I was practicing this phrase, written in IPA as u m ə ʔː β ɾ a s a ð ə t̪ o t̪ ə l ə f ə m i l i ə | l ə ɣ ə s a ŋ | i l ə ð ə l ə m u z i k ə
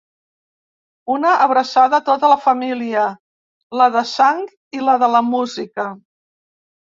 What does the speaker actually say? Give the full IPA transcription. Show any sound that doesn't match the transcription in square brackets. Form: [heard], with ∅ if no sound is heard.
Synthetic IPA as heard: u [n] ə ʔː β ɾ [ə] s a ð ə t̪ o t̪ ə l ə f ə m i l i ə | l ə [ð] ə s a ŋ | i l ə ð ə l ə m u z i k ə